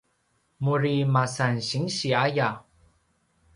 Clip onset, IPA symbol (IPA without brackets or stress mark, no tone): m